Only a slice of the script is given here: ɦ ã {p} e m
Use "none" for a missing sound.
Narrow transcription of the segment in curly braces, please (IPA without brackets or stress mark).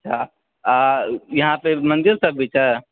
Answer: p